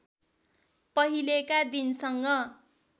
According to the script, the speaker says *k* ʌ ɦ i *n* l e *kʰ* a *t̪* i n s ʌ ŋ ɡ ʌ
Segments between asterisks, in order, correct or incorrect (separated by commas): incorrect, incorrect, incorrect, incorrect